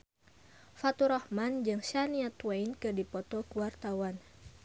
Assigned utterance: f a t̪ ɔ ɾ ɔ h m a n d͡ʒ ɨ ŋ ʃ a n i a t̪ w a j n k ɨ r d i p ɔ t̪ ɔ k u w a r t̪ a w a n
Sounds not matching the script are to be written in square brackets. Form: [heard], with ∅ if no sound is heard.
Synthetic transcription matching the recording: f a t̪ [u] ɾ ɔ h m a n d͡ʒ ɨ ŋ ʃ a n i a t̪ w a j n k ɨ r d i p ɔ t̪ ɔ k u w a r t̪ a w a n